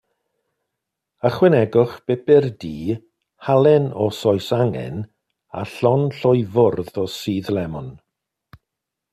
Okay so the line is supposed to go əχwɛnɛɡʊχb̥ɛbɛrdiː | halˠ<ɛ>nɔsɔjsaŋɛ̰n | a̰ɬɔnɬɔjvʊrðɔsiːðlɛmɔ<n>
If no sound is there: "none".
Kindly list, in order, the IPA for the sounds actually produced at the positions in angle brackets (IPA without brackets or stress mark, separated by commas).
ɛ, n